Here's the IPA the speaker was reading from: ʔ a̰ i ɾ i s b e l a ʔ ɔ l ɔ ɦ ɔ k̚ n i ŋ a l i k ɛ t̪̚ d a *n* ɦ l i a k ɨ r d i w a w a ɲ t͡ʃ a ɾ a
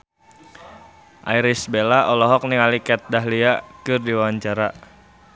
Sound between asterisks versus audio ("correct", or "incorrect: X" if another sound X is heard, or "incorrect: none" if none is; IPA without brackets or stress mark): incorrect: none